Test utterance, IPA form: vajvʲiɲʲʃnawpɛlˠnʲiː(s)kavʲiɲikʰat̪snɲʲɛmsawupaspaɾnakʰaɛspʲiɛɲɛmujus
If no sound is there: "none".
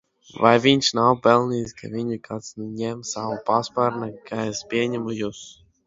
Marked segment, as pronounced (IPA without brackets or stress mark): s